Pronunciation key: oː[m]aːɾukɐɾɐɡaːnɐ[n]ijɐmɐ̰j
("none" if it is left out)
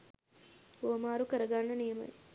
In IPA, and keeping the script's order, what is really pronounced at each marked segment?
m, n

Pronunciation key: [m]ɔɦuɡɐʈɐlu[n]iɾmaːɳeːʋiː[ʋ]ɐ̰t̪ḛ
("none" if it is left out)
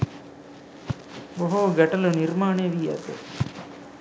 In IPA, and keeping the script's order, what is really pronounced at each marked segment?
b, n, none

